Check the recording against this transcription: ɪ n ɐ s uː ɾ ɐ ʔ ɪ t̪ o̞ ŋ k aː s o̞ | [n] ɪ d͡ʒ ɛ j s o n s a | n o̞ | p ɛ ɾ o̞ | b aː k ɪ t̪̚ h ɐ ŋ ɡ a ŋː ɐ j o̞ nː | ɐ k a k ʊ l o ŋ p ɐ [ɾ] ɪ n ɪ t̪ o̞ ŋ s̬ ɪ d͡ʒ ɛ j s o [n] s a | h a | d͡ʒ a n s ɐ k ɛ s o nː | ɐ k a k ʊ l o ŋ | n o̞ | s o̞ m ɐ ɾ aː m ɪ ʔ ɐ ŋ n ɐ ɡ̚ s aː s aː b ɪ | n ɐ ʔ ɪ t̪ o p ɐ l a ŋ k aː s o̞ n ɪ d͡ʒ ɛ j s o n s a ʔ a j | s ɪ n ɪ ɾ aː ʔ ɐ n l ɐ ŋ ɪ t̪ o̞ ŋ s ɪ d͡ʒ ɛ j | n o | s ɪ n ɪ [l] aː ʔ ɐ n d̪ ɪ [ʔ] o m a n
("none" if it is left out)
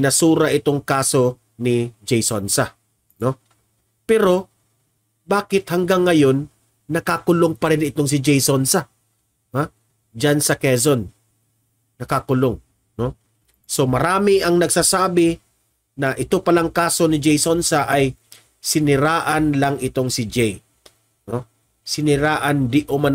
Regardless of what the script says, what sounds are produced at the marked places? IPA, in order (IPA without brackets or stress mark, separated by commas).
n, ɾ, n, ɾ, ʔ